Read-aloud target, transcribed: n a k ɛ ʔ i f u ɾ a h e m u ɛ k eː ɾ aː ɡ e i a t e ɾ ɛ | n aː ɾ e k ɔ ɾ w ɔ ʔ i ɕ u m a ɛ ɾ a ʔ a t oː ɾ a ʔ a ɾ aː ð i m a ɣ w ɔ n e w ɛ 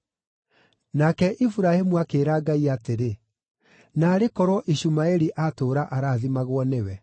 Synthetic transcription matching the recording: n a k ɛ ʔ i f u ɾ a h e m u a k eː ɾ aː ɡ a i a t e ɾ e | n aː ɾ e k ɔ ɾ w ɔ ʔ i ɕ u m a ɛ ɾ i ʔ a t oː ɾ a ʔ a ɾ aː ð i m a ɣ w ɔ n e w ɛ